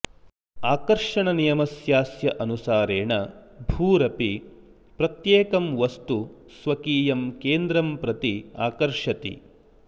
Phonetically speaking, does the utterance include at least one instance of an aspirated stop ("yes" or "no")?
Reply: no